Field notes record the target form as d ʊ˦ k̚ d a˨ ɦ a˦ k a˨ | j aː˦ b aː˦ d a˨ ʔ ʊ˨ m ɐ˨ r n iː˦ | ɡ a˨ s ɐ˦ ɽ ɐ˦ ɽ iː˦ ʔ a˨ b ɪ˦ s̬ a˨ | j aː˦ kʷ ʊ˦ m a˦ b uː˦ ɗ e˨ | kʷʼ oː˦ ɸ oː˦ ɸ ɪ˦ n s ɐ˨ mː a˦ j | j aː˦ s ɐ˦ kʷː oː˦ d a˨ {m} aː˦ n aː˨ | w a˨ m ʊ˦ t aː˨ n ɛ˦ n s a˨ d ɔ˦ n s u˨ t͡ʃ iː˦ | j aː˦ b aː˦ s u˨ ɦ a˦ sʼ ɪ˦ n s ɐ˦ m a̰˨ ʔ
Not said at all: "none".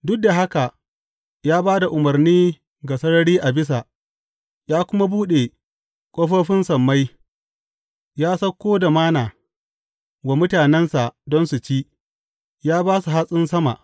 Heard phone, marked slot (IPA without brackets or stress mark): m